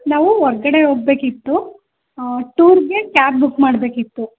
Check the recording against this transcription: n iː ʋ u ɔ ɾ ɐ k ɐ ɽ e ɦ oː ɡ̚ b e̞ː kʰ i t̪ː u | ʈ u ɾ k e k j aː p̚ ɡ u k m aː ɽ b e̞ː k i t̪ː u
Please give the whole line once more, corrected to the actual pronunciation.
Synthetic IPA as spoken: n aː ʋ u ɔ ɾ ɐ ɡ ɐ ɽ e ɦ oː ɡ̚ b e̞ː k i t̪ː u | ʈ uː ɾ ɡ e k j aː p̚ b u k m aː ɽ b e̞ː k i t̪ː u